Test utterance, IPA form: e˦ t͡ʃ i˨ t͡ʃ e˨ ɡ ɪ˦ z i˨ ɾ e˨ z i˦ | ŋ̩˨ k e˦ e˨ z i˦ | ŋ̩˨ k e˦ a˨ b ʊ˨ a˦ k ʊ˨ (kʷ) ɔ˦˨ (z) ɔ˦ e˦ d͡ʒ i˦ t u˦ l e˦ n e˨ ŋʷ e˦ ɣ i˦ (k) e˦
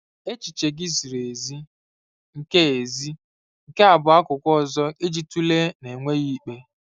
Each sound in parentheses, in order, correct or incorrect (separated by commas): correct, correct, incorrect